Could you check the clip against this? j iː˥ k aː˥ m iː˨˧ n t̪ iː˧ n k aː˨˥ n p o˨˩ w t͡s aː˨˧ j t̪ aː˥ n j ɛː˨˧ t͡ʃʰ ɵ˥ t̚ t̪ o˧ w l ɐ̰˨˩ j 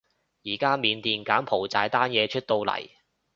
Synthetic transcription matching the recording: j iː˨˩ k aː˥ m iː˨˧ n t̪ iː˧ n k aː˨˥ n pʰ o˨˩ w t͡s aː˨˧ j t̪ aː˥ n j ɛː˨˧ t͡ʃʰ ɵ˥ t̚ t̪ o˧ w l ɐ̰˨˩ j

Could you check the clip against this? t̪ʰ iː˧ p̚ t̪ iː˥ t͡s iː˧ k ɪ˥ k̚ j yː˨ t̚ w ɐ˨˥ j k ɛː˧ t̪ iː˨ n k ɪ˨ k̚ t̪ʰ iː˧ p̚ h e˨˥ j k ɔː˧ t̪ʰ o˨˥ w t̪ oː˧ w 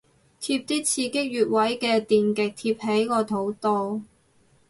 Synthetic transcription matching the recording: t̪ʰ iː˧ p̚ t̪ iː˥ t͡sʰ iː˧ k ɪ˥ k̚ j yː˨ t̚ w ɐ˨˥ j k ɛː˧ t̪ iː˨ n k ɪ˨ k̚ t̪ʰ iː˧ p̚ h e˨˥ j k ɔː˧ t̪ʰ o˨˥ w t̪ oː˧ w

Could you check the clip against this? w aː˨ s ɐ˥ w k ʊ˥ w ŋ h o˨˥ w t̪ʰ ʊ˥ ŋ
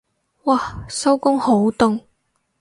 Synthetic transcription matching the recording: w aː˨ s ɐ˥ w k ʊ˥ ŋ h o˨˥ w t̪ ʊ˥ ŋ

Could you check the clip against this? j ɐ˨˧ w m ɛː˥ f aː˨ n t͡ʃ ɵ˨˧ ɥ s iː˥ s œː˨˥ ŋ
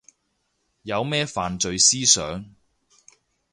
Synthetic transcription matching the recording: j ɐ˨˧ w m ɛː˥ f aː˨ n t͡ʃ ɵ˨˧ ɥ s iː˥ s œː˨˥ ŋ

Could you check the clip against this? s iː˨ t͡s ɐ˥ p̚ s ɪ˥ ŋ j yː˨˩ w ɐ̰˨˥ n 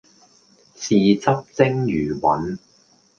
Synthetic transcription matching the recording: s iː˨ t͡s ɐ˥ p̚ t͡s ɪ˥ ŋ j yː˨˩ w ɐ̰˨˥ n

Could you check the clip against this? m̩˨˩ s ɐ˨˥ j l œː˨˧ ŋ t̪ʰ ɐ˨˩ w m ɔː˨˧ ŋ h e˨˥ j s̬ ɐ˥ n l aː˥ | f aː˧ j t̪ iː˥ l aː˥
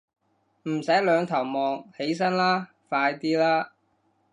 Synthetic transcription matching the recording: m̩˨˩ s ɐ˨˥ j l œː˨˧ ŋ t̪ʰ ɐ˨˩ w m ɔː˨˧ ŋ h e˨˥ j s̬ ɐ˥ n l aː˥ | f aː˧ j t̪ iː˥ l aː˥

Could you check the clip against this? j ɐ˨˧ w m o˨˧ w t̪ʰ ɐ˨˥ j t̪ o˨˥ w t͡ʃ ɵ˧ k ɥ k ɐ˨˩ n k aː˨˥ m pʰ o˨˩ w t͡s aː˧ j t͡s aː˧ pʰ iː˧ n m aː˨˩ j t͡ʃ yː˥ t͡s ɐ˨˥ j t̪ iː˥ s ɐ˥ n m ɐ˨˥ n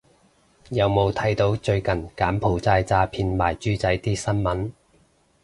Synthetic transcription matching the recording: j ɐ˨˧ w m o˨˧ w t̪ʰ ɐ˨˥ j t̪ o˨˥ w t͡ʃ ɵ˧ ɥ k ɐ˨˩ n k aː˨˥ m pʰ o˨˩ w t͡s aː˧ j t͡s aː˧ pʰ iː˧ n m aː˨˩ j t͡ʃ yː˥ t͡s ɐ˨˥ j t̪ iː˥ s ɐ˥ n m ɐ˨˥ n

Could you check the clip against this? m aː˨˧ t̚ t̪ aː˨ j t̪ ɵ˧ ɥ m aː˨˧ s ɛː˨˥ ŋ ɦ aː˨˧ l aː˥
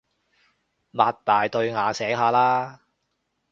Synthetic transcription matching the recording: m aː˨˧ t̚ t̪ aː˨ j t̪ ɵ˧ ɥ ŋ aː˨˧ s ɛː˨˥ ŋ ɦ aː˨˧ l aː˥

